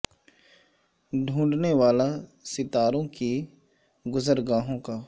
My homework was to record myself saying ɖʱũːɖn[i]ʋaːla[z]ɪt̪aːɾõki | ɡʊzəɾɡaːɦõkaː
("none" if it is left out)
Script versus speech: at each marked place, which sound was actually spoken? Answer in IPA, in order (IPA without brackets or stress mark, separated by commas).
e, s